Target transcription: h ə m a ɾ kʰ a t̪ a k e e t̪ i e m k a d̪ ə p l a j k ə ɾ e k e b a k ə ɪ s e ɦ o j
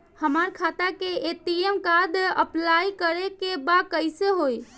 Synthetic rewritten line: h ə m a ɾ kʰ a t̪ a k e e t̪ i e m k a d̪ ə p l a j k ə ɾ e k e b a k ə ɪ s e ɦ o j